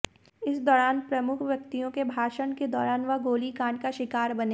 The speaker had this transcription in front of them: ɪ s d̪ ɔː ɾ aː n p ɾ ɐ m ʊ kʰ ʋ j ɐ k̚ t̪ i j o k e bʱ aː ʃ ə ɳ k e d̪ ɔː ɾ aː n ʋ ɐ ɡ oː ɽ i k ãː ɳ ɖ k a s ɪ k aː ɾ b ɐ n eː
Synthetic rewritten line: ɪ s d̪ ɔː ɾ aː n p ɾ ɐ m ʊ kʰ ʋ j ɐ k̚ t̪ i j õ k e bʱ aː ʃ ə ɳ k e d̪ ɔː ɾ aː n ʋ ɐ ɡ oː l i k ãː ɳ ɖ k a ʃ ɪ k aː ɾ b ɐ n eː